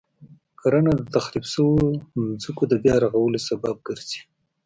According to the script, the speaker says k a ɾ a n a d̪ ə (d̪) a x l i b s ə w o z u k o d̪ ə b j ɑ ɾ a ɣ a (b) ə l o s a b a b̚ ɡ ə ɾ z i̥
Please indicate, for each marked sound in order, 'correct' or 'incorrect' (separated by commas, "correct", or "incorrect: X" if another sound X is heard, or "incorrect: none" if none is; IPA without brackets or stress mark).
incorrect: t̪, incorrect: w